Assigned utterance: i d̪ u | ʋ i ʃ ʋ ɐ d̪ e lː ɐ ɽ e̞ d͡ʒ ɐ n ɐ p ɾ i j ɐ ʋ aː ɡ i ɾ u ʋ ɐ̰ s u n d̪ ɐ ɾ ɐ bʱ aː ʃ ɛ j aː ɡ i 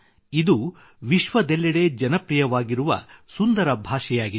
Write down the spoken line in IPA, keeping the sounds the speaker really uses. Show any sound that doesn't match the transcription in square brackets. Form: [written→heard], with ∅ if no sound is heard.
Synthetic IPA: i d̪ u | ʋ i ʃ ʋ ɐ d̪ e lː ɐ ɽ e̞ d͡ʒ ɐ n ɐ p ɾ i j ɐ ʋ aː ɡ i ɾ u ʋ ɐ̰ s u n d̪ ɐ ɾ ɐ bʱ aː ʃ ɛ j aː ɡ i